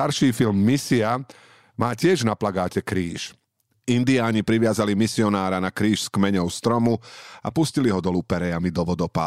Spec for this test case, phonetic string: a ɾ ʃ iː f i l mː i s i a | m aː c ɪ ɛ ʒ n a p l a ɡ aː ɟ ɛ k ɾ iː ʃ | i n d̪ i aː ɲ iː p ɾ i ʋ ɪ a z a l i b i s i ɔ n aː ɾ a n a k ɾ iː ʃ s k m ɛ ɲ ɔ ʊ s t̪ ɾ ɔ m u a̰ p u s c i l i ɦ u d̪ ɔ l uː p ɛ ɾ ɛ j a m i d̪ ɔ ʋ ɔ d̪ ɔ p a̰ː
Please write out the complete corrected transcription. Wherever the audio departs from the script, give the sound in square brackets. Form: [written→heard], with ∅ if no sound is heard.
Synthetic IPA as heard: a ɾ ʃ iː f i l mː i s i a | m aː c ɪ ɛ ʒ n a p l a ɡ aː [ɟ→c] ɛ k ɾ iː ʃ | i n d̪ i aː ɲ [iː→i] p ɾ i ʋ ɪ a z a l i [b→m] i s i ɔ n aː ɾ a n a k ɾ iː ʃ s k m ɛ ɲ ɔ ʊ s t̪ ɾ ɔ m u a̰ p u s c i l i ɦ [u→ɔ] d̪ ɔ l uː p ɛ ɾ ɛ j a m i d̪ ɔ ʋ ɔ d̪ ɔ p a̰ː